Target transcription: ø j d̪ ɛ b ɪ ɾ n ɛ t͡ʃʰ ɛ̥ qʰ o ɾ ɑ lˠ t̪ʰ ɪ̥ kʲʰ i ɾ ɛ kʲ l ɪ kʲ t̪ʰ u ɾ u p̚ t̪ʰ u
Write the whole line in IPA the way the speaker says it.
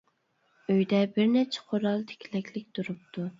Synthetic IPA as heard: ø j d̪ ɛ b ɪ ɾ n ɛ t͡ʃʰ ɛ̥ qʰ o ɾ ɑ lˠ t̪ʰ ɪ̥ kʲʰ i l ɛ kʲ l ɪ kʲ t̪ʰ u ɾ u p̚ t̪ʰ u

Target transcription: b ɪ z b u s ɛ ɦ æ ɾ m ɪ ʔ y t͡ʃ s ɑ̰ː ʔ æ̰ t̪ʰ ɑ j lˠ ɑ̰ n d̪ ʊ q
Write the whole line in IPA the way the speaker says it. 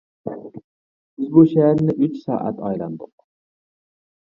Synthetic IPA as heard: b ɪ z b u ʃ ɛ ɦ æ ɾ n ɪ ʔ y t͡ʃ s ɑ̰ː ʔ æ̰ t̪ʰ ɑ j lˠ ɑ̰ n d̪ ʊ q

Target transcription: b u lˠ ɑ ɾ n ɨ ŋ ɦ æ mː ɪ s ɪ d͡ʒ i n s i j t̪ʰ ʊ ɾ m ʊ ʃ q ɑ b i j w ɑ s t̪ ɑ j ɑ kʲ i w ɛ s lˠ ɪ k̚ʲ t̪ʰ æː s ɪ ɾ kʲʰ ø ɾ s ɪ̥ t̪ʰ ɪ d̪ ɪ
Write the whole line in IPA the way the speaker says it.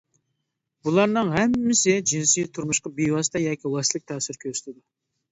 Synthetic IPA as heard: b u lˠ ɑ ɾ n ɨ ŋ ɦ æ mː ɪ s ɪ d͡ʒ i n s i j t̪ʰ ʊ ɾ m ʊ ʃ q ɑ b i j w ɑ s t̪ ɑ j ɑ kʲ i w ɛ s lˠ ɪ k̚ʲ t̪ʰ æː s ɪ ɾ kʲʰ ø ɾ s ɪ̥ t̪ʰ ɪ d̪ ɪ

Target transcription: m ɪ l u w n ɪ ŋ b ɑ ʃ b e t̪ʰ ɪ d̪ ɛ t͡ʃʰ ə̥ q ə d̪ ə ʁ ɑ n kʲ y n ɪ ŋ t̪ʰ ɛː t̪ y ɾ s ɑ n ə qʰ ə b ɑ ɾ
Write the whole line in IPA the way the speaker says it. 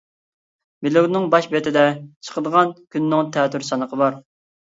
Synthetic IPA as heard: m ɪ l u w n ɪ ŋ b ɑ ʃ b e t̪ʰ ɪ d̪ ɛ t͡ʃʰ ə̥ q ə d̪ ə ʁ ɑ n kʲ y nː ɪ ŋ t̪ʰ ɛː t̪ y ɾ s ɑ n ə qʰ ə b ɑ ɾ

